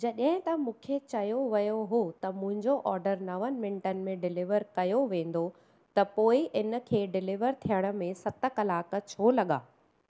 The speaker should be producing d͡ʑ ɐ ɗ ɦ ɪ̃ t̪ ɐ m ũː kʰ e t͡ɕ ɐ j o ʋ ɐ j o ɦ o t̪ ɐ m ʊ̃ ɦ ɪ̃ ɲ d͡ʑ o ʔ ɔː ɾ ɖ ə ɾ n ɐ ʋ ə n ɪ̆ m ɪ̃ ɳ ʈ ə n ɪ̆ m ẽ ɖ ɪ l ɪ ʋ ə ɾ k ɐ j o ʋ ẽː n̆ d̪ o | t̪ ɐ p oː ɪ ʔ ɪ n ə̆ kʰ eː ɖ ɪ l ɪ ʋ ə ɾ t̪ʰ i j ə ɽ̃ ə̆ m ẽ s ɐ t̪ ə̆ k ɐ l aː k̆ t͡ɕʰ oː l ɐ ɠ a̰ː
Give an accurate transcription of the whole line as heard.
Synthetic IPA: d͡ʑ ɐ ɗ ɦ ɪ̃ t̪ ɐ m ũː kʰ e t͡ɕ ɐ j o ʋ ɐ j o ɦ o t̪ ɐ m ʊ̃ ɦ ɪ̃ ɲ d͡ʑ o ʔ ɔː ɾ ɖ ə ɾ n ɐ ʋ ə n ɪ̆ m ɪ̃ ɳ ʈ ə n ɪ̆ m ẽ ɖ ɪ l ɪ ʋ ə ɾ k ɐ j o ʋ ẽː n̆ d̪ o | t̪ ɐ p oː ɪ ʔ ɪ n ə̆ kʰ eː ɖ ɪ l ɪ ʋ ə ɾ t̪ʰ i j ə ɽ̃ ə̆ m ẽ s ɐ t̪ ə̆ k ɐ l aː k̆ t͡ɕʰ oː l ɐ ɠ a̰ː